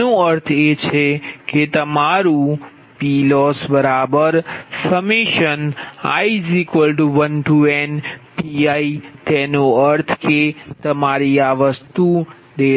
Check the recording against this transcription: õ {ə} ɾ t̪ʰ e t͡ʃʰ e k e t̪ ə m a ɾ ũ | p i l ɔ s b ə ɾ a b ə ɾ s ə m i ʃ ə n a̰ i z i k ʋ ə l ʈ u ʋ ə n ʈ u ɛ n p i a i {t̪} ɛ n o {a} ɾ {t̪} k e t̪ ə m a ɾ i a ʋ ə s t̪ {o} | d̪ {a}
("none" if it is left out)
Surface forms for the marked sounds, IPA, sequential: ə, t̪, ə, t̪ʰ, u, e

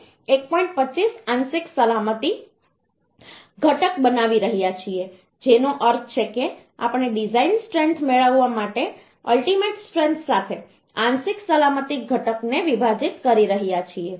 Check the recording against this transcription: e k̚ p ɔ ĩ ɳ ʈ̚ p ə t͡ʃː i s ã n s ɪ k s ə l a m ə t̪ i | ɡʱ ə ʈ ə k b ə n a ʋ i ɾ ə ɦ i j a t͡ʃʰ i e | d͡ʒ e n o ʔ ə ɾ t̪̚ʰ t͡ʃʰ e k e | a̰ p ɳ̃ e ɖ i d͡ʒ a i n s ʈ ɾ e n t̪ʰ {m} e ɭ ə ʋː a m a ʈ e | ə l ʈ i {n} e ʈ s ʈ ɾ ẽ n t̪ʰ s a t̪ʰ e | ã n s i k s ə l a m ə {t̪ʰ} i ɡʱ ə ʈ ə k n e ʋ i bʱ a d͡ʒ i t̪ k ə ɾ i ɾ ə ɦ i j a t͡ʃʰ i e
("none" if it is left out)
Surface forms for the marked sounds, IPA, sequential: m, m, t̪

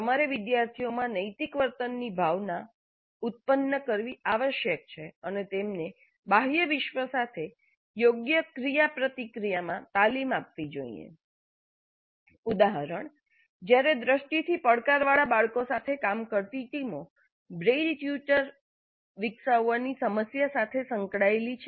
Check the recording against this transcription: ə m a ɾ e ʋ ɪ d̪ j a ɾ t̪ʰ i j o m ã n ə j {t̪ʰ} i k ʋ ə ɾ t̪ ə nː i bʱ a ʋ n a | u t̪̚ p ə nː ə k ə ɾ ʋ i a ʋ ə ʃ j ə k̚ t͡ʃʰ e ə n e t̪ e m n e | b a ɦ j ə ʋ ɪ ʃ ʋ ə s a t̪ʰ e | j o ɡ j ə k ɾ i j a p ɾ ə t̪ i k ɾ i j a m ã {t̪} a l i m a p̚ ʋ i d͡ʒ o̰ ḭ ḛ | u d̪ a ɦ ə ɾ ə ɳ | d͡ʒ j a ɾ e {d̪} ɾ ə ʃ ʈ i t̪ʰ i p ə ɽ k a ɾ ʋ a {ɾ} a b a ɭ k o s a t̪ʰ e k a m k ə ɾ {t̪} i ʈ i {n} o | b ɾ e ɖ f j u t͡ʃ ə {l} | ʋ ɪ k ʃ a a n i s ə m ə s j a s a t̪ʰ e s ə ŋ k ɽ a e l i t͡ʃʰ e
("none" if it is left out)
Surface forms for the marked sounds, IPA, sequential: t̪, t̪, d̪, ɭ, t̪, m, ɾ

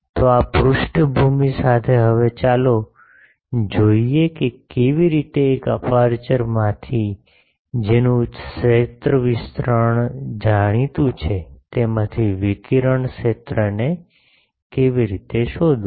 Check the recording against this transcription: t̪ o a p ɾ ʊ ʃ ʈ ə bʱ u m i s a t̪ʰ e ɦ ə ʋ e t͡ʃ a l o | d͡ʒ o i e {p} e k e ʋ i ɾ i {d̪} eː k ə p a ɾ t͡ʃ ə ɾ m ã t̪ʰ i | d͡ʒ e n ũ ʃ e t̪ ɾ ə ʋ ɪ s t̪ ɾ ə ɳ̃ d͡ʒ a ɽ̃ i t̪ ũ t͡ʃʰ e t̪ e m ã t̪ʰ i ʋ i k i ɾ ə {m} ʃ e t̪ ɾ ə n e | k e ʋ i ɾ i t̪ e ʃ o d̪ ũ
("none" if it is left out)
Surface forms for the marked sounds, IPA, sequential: k, t̪, ɳ

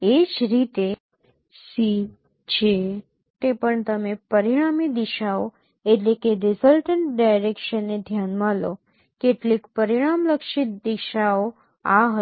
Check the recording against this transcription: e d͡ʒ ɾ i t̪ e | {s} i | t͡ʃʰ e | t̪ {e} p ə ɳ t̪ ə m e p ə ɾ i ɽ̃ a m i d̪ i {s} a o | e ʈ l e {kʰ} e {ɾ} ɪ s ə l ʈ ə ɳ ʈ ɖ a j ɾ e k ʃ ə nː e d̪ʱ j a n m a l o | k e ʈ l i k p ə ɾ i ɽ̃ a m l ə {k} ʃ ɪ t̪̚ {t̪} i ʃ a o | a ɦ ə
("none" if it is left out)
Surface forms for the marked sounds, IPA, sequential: s, e, ʃ, k, ɾ, k, d̪

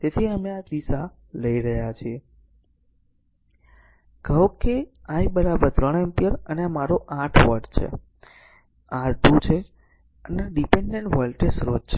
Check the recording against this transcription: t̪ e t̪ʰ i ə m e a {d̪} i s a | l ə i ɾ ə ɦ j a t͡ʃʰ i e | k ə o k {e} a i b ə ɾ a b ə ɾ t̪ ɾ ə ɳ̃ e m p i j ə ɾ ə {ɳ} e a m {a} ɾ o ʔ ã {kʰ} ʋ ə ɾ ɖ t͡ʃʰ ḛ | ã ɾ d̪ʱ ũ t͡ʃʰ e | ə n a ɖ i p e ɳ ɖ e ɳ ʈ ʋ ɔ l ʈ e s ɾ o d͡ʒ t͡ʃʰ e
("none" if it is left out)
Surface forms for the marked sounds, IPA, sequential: d̪, e, n, a, ʈʰ

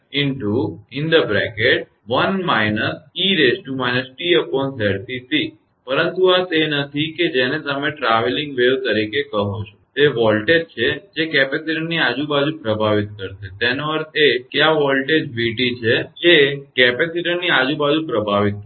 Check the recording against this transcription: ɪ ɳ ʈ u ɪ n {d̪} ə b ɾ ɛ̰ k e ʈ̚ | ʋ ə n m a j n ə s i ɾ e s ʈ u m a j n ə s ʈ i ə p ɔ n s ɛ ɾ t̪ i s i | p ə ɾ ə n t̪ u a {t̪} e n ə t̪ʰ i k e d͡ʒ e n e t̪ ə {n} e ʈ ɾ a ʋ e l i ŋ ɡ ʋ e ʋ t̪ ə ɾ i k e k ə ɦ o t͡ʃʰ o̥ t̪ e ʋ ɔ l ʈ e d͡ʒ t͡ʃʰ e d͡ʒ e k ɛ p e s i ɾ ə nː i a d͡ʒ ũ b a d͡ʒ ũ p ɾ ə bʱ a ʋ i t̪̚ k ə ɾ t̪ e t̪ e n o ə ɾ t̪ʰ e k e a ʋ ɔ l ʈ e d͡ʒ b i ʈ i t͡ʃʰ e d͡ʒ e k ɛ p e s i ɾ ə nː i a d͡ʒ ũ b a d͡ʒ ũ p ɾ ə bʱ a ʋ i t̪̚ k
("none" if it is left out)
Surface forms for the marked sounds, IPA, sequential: d̪, t̪, m

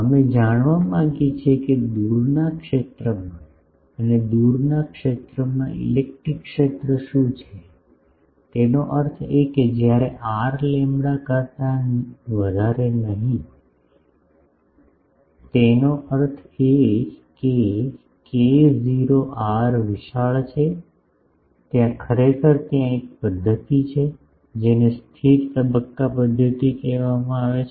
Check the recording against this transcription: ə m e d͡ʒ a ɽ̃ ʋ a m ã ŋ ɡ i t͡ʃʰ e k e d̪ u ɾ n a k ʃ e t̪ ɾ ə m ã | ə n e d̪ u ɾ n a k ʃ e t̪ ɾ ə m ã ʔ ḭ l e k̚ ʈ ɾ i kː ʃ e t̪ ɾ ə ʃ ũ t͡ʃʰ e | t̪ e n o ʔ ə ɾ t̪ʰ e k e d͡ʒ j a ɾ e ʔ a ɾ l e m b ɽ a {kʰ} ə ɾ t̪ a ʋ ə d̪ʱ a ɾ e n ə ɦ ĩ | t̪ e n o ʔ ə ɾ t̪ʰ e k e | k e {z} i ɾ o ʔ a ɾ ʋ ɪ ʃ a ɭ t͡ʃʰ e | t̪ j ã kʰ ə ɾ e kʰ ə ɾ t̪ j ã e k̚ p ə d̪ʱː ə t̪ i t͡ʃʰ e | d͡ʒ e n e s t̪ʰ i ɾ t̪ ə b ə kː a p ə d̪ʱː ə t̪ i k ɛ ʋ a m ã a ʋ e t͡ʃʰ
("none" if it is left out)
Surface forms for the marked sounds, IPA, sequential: k, z

